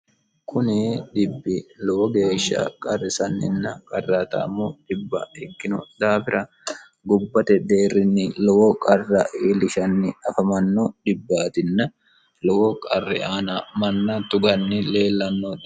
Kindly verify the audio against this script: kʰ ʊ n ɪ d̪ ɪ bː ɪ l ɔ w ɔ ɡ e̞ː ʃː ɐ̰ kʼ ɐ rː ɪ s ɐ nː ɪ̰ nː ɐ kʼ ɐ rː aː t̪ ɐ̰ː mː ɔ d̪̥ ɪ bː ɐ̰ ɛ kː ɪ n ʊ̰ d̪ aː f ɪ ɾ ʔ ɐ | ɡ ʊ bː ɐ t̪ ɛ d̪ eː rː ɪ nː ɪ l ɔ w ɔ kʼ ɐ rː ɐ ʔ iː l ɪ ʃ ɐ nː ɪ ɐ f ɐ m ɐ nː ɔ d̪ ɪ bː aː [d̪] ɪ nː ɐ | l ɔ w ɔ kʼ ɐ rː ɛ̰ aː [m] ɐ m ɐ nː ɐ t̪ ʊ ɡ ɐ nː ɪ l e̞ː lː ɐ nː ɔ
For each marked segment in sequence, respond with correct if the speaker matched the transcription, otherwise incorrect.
incorrect: t̪, incorrect: n

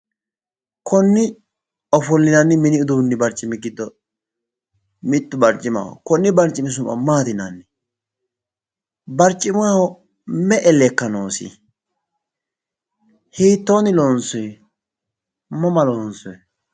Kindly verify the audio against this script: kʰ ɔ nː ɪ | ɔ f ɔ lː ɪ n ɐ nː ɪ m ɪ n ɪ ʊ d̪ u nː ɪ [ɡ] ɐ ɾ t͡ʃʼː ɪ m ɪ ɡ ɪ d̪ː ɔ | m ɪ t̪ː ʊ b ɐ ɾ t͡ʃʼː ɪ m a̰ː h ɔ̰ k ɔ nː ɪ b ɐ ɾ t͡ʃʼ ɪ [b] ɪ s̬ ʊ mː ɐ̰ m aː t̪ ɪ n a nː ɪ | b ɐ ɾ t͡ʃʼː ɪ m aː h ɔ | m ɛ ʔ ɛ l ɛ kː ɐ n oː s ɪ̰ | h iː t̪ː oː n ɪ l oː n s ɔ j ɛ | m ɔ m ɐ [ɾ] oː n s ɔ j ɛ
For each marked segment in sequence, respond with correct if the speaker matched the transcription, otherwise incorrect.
incorrect: b, incorrect: m, incorrect: l

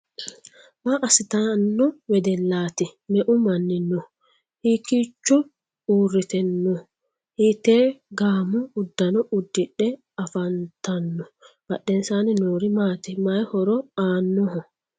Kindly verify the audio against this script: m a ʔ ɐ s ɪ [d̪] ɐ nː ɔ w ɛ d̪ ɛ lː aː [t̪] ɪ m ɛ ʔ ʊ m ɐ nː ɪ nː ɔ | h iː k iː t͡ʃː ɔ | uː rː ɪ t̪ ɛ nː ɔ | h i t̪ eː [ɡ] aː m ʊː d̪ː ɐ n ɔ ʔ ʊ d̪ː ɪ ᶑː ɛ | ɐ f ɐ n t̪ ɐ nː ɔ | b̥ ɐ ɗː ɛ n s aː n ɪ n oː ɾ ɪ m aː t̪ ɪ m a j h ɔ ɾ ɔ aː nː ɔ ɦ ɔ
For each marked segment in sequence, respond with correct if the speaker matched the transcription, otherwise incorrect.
incorrect: t̪, correct, correct

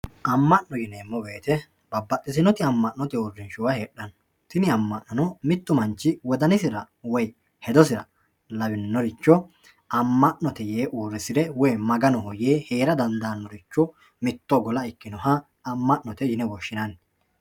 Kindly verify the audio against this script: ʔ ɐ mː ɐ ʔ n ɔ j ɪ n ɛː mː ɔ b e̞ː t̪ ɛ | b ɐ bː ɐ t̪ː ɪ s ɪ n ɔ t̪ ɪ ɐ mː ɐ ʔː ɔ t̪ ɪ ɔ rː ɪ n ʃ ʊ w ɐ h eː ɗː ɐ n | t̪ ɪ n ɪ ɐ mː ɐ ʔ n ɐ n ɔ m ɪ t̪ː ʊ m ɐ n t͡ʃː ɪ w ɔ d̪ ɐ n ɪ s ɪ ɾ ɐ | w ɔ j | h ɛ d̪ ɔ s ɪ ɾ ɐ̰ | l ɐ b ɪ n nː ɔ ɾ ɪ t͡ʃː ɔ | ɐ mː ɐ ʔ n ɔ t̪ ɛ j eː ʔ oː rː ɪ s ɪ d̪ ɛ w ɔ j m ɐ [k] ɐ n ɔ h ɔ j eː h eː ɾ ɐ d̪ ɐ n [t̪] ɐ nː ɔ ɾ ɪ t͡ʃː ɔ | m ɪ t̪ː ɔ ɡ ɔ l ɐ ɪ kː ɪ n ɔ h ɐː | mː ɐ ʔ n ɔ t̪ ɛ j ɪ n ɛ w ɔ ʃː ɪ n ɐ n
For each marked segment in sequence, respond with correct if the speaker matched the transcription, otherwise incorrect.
incorrect: ɡ, incorrect: d̪

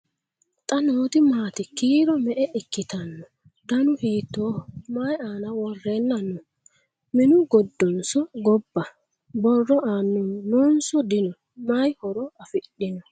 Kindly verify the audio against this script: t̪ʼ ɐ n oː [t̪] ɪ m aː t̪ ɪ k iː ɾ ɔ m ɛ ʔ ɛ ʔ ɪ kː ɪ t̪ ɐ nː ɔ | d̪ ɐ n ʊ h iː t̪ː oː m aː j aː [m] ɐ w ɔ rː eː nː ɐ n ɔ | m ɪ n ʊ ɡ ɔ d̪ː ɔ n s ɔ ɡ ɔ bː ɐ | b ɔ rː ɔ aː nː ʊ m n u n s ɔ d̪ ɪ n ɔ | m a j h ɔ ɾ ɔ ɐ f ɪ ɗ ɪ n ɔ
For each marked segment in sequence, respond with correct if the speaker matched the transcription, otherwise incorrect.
correct, incorrect: n

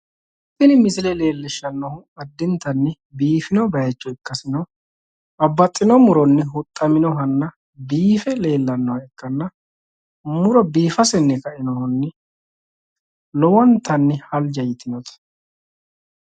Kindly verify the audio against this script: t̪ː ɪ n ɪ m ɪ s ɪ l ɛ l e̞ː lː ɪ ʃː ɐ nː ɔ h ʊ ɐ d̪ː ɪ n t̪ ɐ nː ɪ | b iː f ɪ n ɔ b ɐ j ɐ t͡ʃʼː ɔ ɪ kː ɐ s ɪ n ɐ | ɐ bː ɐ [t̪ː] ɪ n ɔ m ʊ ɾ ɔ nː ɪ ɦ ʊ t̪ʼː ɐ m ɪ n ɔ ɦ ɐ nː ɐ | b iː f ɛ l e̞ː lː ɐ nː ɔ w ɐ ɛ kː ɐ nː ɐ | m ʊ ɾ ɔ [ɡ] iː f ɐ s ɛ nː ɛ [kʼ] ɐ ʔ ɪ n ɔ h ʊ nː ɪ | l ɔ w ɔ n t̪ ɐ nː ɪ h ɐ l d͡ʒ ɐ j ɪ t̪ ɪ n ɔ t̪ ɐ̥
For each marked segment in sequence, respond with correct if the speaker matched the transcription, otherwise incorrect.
incorrect: t̪ʼː, incorrect: b, incorrect: k

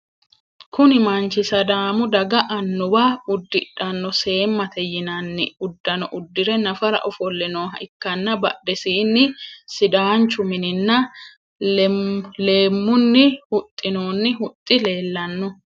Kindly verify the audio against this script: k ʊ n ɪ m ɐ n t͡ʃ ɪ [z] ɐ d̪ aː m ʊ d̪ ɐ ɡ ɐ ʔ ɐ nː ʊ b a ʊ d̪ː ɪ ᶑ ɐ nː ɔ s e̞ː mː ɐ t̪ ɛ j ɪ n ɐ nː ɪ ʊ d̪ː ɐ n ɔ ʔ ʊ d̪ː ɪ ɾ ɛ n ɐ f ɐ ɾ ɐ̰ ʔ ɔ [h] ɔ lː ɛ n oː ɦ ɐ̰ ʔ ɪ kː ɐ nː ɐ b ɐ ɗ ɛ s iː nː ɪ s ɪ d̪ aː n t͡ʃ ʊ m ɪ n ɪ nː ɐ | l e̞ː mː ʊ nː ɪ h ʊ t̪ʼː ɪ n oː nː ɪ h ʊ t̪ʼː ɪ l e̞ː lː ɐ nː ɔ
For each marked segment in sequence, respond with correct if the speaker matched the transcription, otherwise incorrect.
incorrect: s, incorrect: f

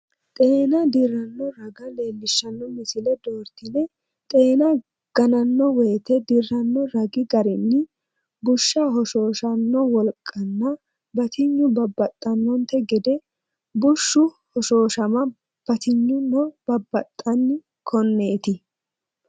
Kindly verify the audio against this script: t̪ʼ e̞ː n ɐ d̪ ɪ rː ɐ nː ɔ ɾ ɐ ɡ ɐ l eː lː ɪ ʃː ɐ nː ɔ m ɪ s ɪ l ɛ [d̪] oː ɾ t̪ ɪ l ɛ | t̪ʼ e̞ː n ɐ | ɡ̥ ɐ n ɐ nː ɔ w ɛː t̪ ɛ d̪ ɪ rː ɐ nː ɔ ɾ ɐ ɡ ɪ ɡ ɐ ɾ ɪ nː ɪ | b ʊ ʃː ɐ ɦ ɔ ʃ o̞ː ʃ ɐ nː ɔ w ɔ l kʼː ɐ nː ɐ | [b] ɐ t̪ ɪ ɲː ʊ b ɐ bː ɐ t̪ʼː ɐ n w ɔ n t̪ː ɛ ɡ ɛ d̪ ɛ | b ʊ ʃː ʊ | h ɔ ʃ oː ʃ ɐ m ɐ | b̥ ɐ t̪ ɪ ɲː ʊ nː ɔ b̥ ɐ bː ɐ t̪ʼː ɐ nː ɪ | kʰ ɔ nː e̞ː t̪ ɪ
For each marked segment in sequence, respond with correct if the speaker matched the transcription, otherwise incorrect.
correct, correct

